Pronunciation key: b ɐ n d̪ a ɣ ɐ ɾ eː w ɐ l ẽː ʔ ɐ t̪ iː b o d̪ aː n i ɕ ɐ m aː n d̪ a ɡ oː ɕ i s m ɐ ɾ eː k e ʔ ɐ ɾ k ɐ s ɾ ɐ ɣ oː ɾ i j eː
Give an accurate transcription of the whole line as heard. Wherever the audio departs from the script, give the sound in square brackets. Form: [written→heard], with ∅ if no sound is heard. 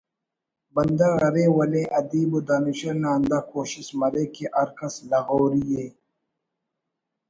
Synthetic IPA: b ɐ n d̪ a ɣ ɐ ɾ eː w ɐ l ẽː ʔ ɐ [t̪→d̪] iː b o d̪ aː n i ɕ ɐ [m→n] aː n d̪ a [ɡ→k] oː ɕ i s m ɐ ɾ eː k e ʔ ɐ ɾ k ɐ s [ɾ→l] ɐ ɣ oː ɾ i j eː